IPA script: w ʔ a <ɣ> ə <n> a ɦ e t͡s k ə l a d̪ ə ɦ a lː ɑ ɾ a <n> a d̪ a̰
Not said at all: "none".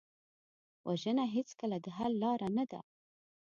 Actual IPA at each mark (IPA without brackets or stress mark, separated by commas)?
ʒ, n, n